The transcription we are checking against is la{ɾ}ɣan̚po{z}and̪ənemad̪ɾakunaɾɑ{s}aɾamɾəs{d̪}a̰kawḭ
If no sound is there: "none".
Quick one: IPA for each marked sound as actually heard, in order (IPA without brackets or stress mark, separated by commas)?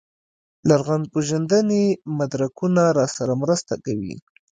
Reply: ɾ, ʒ, s, t̪